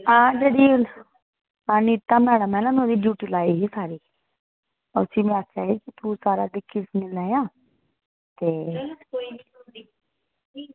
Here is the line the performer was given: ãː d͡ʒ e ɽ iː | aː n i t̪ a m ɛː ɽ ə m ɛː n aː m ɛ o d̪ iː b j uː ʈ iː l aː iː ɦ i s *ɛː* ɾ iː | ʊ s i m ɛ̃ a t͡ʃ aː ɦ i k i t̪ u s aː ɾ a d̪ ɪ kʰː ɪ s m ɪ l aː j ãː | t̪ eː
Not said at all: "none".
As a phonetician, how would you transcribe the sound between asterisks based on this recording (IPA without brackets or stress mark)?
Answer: aː